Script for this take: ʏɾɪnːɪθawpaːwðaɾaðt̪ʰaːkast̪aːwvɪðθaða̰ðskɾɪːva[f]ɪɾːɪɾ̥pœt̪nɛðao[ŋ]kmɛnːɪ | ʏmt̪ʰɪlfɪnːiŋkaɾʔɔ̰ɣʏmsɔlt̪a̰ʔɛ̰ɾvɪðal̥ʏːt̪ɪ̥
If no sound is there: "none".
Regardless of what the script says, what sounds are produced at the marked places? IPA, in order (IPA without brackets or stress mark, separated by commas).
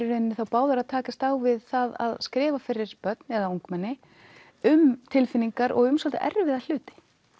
f, ŋ